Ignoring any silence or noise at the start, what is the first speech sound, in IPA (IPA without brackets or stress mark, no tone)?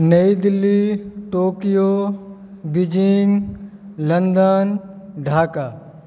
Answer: n